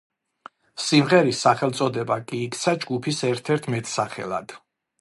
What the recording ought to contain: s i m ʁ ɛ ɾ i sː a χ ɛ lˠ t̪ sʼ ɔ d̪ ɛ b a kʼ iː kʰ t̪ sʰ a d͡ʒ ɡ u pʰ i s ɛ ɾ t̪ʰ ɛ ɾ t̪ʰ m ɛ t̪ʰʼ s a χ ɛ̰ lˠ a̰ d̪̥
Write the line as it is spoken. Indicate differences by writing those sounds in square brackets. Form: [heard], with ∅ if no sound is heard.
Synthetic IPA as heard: s i m ʁ ɛ ɾ i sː a χ ɛ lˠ t̪ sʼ ɔ d̪ ɛ b a kʼ iː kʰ t̪ sʰ a d͡ʒ ɡ u pʰ i s ɛ ɾ t̪ʰ ɛ ɾ t̪ʰ m ɛ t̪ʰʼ s a χ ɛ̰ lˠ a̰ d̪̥

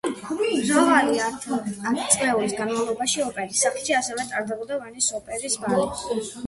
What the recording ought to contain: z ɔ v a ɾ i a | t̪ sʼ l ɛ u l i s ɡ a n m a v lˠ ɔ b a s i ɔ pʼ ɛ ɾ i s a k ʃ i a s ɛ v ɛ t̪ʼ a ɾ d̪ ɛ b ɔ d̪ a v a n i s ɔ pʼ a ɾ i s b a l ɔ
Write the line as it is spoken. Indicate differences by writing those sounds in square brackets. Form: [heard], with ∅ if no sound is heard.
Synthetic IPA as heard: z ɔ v a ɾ i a | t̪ sʼ l ɛ u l i s ɡ a n m a v lˠ ɔ b a [ʃ] i ɔ pʼ ɛ ɾ i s a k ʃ i a s ɛ v ɛ t̪ʼ a ɾ d̪ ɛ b ɔ d̪ a v a n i s ɔ pʼ [ɛ] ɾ i s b a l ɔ

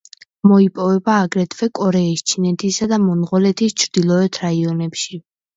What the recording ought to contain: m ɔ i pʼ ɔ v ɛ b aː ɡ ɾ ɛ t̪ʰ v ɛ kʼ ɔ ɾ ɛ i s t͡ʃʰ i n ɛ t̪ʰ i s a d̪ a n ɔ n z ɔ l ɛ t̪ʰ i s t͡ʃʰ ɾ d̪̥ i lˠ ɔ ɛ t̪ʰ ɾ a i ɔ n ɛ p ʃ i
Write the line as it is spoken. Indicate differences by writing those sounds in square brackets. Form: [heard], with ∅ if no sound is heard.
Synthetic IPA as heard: m ɔ i pʼ ɔ v ɛ b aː ɡ ɾ ɛ t̪ʰ v ɛ kʼ ɔ ɾ ɛ i s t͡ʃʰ i n ɛ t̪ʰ i s a d̪ a [m] ɔ n [ʁ] ɔ l ɛ t̪ʰ i s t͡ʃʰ ɾ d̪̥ i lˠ ɔ ɛ t̪ʰ ɾ a i ɔ n ɛ p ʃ i

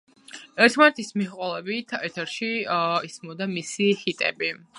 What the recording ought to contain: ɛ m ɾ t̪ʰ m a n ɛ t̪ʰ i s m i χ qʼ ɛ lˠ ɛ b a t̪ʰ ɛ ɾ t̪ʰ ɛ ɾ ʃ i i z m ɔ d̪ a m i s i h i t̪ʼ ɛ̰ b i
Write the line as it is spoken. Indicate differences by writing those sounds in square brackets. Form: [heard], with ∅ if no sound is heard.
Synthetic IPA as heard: ɛ [∅] ɾ t̪ʰ m a n ɛ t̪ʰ i s m i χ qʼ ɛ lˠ ɛ b [i] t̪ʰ ɛ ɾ t̪ʰ ɛ ɾ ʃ i i [s] m ɔ d̪ a m i s i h i t̪ʼ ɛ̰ b i

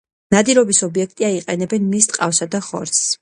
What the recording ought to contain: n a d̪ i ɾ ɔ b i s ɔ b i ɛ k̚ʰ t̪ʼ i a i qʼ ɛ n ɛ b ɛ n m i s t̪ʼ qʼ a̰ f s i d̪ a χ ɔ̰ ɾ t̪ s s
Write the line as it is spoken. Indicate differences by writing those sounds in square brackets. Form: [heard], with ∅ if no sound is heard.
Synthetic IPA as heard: n a d̪ i ɾ ɔ b i s ɔ b i ɛ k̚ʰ t̪ʼ i a i qʼ ɛ n ɛ b ɛ n m i s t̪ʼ qʼ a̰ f s [a] d̪ a χ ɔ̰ ɾ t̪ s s

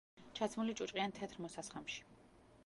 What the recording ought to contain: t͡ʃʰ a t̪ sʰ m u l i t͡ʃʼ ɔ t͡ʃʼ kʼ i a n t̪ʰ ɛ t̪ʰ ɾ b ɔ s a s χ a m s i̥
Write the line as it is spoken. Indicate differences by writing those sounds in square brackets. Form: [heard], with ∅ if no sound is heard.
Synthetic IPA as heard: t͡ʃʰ a t̪ sʰ m u l i t͡ʃʼ [u] t͡ʃʼ [qʼ] i a n t̪ʰ ɛ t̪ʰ ɾ [m] ɔ s a s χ a m [ʃ] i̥

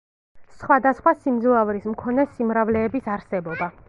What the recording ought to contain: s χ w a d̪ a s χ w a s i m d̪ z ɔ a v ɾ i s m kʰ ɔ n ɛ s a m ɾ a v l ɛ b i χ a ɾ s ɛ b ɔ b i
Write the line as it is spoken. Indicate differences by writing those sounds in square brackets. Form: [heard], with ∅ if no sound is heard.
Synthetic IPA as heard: s χ w a d̪ a s χ w a s i m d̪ z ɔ a v ɾ i s m kʰ ɔ n ɛ s [i] m ɾ a v l [ɛː] b i [s] a ɾ s ɛ b ɔ b [a]

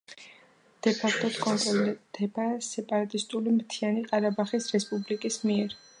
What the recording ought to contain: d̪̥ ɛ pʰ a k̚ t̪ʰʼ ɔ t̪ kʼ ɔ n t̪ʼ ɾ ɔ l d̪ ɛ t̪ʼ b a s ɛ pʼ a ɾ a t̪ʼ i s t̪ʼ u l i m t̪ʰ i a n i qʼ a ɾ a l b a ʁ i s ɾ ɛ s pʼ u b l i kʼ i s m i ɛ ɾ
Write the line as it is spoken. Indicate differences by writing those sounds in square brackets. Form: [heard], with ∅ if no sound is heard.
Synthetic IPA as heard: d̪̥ ɛ pʰ a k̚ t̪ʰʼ ɔ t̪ kʼ ɔ n t̪ʼ ɾ ɔ l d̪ ɛ [∅] b a s ɛ pʼ a ɾ a t̪ʼ i s t̪ʼ u l i m t̪ʰ i a n i qʼ a ɾ a [∅] b a [χ] i s ɾ ɛ s pʼ u b l i kʼ i s m i ɛ ɾ

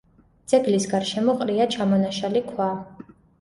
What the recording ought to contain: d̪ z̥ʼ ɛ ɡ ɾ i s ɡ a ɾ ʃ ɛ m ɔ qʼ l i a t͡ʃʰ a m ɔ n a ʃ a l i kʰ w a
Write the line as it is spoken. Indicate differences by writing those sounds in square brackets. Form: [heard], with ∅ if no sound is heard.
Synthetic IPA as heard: d̪ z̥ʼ ɛ ɡ [l] i s ɡ a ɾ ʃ ɛ m ɔ qʼ [ɾ] i a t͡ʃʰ a m ɔ n a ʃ a l i kʰ w a

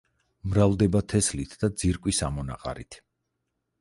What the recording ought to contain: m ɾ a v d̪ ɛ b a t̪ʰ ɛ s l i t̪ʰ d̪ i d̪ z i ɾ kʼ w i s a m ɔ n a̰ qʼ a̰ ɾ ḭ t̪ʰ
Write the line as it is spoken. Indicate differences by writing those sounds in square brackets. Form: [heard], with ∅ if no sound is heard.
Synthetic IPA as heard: m ɾ a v d̪ ɛ b a t̪ʰ ɛ s l i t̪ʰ d̪ [a] d̪ z i ɾ kʼ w i s a m ɔ n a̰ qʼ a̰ ɾ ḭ t̪ʰ

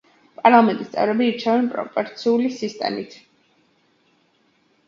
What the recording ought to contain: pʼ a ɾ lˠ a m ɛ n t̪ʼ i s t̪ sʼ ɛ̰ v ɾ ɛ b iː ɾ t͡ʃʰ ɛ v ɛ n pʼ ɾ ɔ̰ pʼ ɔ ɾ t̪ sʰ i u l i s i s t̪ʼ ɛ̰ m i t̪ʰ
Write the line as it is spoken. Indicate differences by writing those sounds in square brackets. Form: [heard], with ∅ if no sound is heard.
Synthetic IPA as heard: pʼ a ɾ lˠ a m ɛ n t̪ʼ i s t̪ sʼ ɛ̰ v ɾ ɛ b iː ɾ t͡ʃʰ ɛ v ɛ n pʼ ɾ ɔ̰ pʼ ɔ ɾ t̪ sʰ i u l i s i s t̪ʼ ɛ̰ m i t̪ʰ

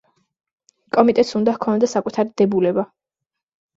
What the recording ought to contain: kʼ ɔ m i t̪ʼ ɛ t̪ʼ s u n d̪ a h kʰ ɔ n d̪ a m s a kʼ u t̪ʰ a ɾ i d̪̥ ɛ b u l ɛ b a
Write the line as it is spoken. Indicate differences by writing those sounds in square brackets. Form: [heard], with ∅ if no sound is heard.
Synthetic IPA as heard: kʼ ɔ m i t̪ʼ ɛ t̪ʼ s u n d̪ a h kʰ ɔ n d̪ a [∅] s a kʼ u t̪ʰ a ɾ i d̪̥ ɛ b u l ɛ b a

